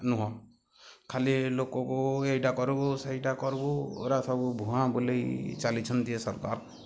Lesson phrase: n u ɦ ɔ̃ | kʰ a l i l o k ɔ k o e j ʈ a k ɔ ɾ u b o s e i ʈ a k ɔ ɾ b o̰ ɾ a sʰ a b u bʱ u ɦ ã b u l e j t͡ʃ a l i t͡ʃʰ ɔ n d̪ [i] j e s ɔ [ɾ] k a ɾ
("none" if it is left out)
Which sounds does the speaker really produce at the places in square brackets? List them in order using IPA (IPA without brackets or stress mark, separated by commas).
i, ɾ